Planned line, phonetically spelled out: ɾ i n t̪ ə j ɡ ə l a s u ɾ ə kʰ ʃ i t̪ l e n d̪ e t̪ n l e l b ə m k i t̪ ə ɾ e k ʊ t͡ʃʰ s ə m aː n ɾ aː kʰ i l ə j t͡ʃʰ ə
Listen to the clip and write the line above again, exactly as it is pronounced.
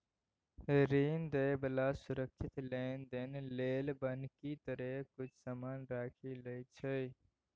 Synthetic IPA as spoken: ɾ i n d̪ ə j b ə l a s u ɾ ə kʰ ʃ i t̪ l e n d̪ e n l e l b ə n k i t̪ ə ɾ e k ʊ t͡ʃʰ s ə m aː n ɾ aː kʰ i l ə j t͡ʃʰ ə